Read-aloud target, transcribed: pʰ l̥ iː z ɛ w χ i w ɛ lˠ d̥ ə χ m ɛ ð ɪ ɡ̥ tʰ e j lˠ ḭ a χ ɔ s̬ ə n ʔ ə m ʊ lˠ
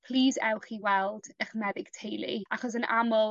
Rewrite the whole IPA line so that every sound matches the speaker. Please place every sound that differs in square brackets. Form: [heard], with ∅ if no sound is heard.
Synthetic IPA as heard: pʰ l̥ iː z ɛ w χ i w ɛ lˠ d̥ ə χ m ɛ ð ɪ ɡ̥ tʰ e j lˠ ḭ a χ ɔ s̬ ə n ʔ [a] m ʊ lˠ